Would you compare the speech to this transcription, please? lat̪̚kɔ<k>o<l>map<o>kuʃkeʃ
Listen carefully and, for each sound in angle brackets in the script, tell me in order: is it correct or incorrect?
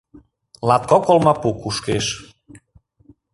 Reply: correct, correct, incorrect: u

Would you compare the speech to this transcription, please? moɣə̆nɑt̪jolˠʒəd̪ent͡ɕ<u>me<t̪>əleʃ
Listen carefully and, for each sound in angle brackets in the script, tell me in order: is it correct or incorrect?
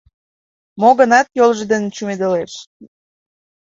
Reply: correct, incorrect: d̪

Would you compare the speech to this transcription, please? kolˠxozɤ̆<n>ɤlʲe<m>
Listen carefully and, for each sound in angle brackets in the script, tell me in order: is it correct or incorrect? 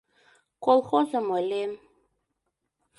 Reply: incorrect: m, correct

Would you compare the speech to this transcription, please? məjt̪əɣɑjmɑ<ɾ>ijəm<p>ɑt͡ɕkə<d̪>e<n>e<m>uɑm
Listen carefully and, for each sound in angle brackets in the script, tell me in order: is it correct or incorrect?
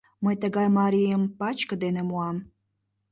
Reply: correct, correct, correct, correct, correct

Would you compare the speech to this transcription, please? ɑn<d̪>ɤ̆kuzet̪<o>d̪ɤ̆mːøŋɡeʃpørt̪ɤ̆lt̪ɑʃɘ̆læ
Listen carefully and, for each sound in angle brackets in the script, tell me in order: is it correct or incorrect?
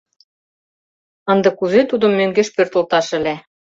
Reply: correct, incorrect: u

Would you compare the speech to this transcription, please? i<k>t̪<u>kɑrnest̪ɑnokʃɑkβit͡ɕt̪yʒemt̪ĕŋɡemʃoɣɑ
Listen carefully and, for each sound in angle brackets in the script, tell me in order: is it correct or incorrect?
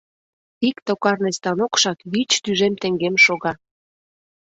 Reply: correct, incorrect: o

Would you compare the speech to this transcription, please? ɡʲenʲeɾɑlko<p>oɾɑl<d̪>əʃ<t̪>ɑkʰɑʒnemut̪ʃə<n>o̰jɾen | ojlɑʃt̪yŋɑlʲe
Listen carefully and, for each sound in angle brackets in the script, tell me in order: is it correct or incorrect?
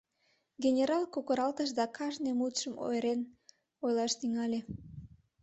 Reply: incorrect: k, incorrect: t̪, incorrect: d̪, incorrect: m

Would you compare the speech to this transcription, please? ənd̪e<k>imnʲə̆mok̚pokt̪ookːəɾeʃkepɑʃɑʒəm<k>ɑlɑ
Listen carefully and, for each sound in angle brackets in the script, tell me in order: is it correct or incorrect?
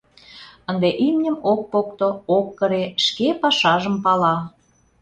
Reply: incorrect: ʔ, incorrect: p

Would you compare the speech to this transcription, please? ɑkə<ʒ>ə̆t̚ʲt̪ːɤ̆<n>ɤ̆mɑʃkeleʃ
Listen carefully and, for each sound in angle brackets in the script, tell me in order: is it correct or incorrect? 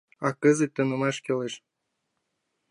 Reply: incorrect: z, correct

